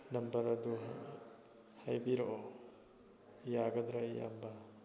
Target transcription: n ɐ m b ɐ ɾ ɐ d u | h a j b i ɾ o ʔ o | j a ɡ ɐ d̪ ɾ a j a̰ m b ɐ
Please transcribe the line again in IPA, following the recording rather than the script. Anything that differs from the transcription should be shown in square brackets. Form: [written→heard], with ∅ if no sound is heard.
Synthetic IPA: n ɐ m b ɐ ɾ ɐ d u | h a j b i ɾ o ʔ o | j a ɡ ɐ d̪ ɾ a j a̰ m b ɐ